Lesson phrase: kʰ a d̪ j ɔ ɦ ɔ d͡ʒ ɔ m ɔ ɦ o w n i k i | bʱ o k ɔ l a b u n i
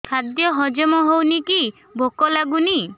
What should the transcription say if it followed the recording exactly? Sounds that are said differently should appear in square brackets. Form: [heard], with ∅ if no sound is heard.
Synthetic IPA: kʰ a d̪ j ɔ ɦ ɔ d͡ʒ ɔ m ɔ ɦ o w n i k i | bʱ o k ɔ l a [ɡ] u n i

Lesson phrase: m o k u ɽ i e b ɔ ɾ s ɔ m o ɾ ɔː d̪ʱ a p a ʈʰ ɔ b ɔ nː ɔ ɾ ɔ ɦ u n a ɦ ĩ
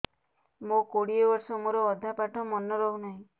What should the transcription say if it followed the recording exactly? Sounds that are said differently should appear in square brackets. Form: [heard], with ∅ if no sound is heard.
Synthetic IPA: m o k [o] ɽ i e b ɔ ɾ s ɔ m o ɾ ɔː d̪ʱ a p a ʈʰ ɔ [m] ɔ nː ɔ ɾ ɔ ɦ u n a ɦ ĩ

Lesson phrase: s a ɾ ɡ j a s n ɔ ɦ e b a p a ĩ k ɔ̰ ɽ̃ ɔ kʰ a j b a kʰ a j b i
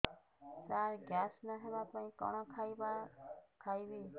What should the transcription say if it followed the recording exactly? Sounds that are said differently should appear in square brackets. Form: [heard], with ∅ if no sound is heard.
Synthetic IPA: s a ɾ ɡ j a s n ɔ ɦ e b a p a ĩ k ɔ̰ ɽ̃ ɔ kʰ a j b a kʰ a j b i

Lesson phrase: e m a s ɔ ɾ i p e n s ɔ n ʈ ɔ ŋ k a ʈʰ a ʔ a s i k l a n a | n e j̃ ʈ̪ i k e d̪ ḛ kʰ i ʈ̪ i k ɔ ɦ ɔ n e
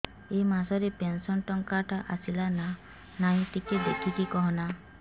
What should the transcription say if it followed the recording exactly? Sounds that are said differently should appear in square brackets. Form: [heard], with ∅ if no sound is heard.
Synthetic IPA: e m a s ɔ ɾ [e] p e n s ɔ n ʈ ɔ ŋ k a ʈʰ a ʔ a s i [∅] l a n a | n [a] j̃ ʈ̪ i k e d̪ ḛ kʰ i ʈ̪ i k ɔ ɦ ɔ n [a]

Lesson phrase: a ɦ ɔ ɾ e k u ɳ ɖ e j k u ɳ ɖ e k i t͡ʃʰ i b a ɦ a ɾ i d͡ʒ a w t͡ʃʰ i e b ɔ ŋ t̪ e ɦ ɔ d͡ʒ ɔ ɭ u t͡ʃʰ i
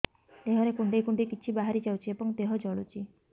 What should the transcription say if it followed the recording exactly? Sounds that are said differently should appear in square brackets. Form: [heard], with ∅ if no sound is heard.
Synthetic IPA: [e] ɦ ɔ ɾ e k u ɳ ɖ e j k u ɳ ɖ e k i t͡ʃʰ i b a ɦ a ɾ i d͡ʒ a w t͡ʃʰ i e b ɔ ŋ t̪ e ɦ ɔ d͡ʒ ɔ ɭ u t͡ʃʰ i

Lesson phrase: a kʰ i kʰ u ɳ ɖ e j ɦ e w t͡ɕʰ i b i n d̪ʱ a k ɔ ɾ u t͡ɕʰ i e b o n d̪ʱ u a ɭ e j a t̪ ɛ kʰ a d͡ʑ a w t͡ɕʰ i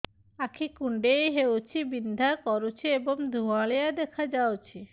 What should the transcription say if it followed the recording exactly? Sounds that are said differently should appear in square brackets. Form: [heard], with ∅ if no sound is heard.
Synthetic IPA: a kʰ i [k] u ɳ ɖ e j ɦ e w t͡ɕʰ i b i n d̪ʱ a k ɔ ɾ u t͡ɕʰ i e b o [ŋ] d̪ʱ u a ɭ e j a [d̪] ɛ kʰ a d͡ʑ a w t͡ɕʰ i

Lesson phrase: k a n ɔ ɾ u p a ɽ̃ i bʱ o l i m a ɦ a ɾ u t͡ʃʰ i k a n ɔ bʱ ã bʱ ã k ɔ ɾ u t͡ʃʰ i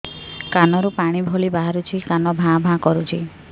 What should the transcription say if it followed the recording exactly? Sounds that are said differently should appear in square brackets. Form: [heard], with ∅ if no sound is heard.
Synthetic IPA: k a n ɔ ɾ u p a ɽ̃ i bʱ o l i [b] a ɦ a ɾ u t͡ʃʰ i k a n ɔ bʱ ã bʱ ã k ɔ ɾ u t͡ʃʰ i

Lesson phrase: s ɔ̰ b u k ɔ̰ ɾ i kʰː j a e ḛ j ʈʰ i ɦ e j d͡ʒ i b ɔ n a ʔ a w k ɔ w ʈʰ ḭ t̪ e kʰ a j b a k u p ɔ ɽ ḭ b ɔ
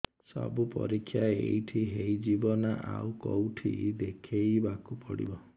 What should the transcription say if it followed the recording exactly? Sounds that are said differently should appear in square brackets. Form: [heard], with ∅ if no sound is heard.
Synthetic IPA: s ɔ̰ b u [p] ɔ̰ ɾ i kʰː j a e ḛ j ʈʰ i ɦ e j d͡ʒ i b ɔ n a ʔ a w k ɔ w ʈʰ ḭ [d̪] e kʰ [e] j b a k u p ɔ ɽ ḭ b ɔ

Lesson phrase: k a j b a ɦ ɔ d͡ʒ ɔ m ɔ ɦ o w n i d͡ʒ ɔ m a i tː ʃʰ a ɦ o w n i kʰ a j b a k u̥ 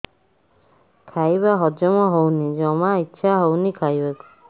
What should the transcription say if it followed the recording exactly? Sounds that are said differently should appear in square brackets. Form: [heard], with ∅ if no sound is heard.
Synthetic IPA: [kʰ] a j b a ɦ ɔ d͡ʒ ɔ m ɔ ɦ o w n i d͡ʒ ɔ m a i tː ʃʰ a ɦ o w n i kʰ a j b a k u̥

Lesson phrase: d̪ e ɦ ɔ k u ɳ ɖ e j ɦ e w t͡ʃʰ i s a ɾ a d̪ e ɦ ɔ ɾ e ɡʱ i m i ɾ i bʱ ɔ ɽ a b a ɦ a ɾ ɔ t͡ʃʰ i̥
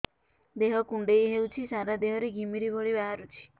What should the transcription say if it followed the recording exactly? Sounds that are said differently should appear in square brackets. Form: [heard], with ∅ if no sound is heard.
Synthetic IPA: d̪ e ɦ ɔ k u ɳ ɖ e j ɦ e w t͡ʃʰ i s a ɾ a d̪ e ɦ ɔ ɾ e ɡʱ i m i ɾ i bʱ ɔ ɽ [i] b a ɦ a ɾ [u] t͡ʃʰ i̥

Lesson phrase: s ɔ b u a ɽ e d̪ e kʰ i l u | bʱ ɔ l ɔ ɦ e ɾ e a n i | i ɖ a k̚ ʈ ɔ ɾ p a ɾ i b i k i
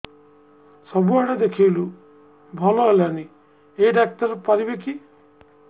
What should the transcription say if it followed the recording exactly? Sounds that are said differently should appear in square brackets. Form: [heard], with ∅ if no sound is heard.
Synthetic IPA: s ɔ b u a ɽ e d̪ e kʰ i l u | bʱ ɔ l ɔ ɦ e [l] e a n i | [e] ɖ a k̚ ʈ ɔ ɾ p a ɾ i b [e] k i

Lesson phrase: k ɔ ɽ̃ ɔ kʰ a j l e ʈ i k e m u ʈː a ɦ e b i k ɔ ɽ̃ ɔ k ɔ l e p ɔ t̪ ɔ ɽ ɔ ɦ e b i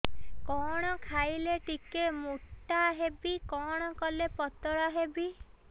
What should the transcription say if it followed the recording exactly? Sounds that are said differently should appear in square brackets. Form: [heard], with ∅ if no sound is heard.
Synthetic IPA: k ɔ ɽ̃ ɔ kʰ a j l e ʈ i k e m u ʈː a ɦ e b i k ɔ ɽ̃ ɔ k ɔ l e p ɔ t̪ ɔ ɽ ɔ ɦ e b i

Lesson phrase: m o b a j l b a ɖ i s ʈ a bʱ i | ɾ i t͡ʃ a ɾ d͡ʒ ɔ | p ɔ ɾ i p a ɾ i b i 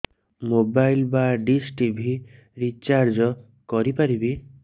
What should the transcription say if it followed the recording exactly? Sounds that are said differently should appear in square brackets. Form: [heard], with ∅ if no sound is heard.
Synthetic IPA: m o b a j l b a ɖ i s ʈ [i] bʱ i | ɾ i t͡ʃ a ɾ d͡ʒ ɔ | [k] ɔ ɾ i p a ɾ i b i

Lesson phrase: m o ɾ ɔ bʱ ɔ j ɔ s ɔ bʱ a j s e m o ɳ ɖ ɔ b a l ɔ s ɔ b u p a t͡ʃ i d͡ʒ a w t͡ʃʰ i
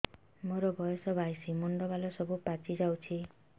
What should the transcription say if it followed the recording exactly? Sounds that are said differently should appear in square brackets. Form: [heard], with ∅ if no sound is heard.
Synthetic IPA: m o ɾ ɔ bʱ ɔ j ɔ s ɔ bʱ a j s [i] m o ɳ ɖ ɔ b a l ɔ s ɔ b u p a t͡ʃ i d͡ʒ a w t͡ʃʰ i

